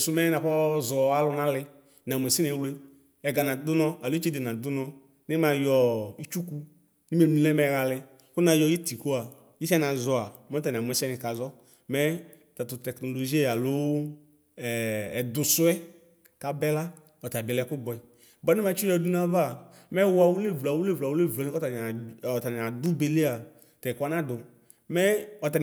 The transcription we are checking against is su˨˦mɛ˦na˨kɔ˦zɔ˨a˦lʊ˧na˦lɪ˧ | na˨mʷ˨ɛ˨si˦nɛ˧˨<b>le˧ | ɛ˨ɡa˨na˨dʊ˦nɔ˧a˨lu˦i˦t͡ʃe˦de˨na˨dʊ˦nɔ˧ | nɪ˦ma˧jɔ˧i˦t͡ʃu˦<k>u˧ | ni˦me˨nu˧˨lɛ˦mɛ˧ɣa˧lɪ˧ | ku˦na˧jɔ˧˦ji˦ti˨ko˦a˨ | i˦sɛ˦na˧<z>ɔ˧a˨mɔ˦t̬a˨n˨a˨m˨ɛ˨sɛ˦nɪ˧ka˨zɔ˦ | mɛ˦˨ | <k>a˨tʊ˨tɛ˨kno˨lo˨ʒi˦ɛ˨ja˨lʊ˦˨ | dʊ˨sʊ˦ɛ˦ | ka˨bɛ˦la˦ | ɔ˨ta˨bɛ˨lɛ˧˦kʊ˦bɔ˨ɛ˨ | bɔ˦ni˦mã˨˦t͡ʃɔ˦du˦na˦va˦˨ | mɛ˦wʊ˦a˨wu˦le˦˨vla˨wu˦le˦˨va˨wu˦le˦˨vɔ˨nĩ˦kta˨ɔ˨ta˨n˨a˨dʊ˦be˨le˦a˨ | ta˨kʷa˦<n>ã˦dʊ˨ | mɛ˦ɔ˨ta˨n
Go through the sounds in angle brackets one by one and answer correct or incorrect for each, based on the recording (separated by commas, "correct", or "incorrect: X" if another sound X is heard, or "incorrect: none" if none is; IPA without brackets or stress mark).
incorrect: w, correct, correct, incorrect: t, correct